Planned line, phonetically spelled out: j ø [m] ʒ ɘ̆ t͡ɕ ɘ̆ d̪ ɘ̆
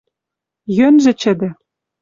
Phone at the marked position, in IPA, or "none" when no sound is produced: n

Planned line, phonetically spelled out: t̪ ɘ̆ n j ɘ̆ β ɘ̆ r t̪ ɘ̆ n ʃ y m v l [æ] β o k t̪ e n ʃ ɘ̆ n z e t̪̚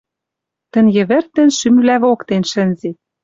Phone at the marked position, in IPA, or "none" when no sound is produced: æ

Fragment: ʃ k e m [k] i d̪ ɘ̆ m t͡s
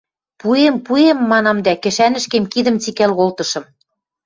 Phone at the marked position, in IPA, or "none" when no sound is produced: k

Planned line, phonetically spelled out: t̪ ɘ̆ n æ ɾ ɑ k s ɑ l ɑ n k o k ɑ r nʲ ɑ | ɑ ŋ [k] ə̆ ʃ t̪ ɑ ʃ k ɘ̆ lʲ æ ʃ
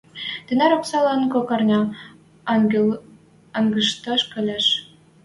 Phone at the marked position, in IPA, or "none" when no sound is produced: ɡ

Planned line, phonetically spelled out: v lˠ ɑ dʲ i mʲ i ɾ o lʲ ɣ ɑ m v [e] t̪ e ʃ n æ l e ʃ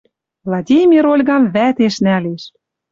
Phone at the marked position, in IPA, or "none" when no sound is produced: æ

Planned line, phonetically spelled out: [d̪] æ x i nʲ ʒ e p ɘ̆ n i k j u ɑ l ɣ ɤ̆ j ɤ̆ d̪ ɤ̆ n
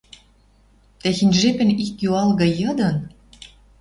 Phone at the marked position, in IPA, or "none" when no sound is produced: t̪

